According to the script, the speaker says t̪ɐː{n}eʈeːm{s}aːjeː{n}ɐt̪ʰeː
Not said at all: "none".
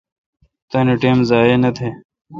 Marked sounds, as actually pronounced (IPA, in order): n, z, n

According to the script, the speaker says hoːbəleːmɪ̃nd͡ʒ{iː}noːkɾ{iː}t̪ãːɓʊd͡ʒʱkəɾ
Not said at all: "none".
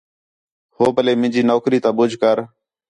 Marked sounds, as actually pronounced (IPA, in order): iː, iː

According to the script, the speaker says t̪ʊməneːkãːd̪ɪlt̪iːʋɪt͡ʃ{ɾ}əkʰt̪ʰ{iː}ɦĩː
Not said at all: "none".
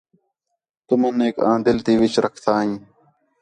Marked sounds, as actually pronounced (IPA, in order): ɾ, aː

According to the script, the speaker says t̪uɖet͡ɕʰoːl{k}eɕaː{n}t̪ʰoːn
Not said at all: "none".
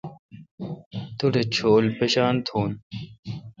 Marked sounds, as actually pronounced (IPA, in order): p, n

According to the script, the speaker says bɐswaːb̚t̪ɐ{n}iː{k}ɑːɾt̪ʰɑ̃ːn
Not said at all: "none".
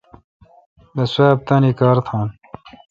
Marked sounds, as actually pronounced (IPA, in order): n, k

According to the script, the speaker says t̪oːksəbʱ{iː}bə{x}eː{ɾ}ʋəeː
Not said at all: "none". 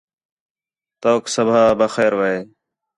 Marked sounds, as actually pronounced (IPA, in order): aː, x, ɾ

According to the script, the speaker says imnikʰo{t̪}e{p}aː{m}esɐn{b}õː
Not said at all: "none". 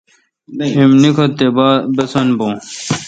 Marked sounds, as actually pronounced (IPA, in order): t̪, b, b, b

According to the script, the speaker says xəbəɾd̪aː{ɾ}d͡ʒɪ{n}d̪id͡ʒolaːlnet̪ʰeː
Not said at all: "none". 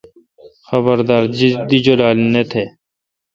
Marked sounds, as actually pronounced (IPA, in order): ɾ, none

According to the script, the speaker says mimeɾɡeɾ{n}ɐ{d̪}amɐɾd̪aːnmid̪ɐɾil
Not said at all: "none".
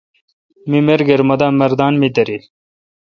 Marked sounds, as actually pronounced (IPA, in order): m, d̪

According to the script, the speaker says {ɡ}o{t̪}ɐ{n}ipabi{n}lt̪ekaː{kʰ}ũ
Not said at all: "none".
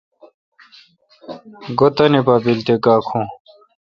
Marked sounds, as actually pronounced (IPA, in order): ɡ, t̪, n, none, kʰ

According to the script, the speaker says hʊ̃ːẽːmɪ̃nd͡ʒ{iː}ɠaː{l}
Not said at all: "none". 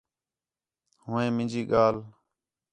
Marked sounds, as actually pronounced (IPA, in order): iː, l

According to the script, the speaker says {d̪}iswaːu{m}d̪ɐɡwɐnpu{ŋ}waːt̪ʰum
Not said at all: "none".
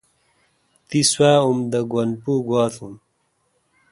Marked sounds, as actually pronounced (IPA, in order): t̪, m, ɡ

